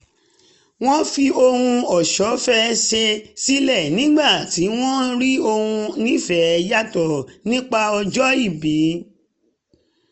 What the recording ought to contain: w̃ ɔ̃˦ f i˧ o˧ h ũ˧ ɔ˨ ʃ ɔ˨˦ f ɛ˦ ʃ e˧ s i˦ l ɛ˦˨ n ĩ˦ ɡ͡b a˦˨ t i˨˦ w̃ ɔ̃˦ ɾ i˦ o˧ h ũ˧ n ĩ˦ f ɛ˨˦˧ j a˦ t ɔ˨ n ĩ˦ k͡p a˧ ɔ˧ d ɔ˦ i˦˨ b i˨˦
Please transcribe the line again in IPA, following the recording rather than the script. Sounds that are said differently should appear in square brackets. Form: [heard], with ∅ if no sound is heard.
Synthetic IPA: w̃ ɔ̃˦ f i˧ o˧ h ũ˧ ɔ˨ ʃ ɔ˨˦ f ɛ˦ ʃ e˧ s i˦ l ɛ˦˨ n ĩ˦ ɡ͡b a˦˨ t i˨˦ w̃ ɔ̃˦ ɾ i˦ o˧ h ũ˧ n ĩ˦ f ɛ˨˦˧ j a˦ t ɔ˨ n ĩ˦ k͡p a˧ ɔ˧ [d͡ʒ] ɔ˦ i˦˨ b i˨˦